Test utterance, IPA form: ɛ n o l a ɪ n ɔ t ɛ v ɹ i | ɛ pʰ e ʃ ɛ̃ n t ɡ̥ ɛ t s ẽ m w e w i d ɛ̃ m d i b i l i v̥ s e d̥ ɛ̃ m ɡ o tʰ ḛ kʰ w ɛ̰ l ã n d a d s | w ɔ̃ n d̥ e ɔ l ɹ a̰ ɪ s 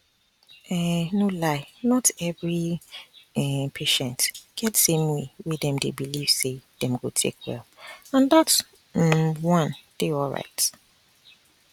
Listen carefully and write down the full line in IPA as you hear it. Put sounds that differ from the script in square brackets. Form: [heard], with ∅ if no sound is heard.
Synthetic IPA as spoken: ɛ n o l a ɪ n ɔ t ɛ v ɹ i | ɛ pʰ e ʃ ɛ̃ n t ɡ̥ ɛ t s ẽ m w e w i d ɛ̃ m d [e] b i l i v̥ s e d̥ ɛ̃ m ɡ o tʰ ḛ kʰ w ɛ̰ l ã n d a [t] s | w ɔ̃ n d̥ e ɔ l ɹ a̰ ɪ [t]